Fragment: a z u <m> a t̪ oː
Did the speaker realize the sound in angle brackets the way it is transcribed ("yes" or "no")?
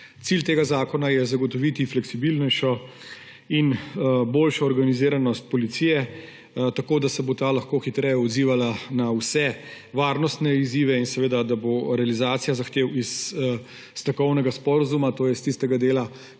yes